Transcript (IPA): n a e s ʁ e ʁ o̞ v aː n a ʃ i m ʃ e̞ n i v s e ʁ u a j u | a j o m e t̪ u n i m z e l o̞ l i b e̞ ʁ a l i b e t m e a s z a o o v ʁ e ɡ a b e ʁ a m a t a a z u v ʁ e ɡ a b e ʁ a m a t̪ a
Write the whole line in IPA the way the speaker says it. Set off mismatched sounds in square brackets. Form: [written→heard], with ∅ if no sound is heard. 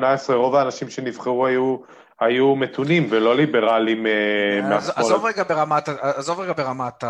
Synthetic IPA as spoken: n a e s ʁ e ʁ o̞ v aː n a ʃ i m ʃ e̞ n i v [s→χ] e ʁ u a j u | a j [o→u] m e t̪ u n i m [z→v] e l o̞ l i b e̞ ʁ a l i [b→m] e [t→∅] m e a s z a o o v ʁ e ɡ a b e ʁ a m a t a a z [u→o] v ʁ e ɡ a b e ʁ a m a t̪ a